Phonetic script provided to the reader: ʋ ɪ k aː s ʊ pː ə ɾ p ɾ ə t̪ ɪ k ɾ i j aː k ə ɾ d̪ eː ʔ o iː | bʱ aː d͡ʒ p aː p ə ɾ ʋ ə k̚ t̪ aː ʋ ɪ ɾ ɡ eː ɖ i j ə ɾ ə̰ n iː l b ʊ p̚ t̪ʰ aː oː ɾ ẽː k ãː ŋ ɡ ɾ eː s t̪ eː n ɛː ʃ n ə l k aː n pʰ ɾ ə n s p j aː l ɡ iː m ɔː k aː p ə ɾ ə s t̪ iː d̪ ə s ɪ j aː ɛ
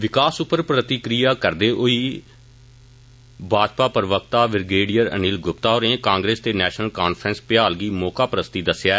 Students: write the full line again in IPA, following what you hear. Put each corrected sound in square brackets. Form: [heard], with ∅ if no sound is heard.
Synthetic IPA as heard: ʋ ɪ k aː s ʊ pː ə ɾ p ɾ ə t̪ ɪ k ɾ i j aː k ə ɾ d̪ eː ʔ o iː | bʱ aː d͡ʒ p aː p ə ɾ ʋ ə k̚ t̪ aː ʋ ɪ ɾ ɡ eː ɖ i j ə ɾ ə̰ n iː l [ɡ] ʊ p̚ [t̪] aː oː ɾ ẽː k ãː ŋ ɡ ɾ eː s t̪ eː n ɛː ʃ n ə l k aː n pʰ ɾ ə n s p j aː l ɡ iː m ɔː k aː p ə ɾ ə s t̪ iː d̪ ə s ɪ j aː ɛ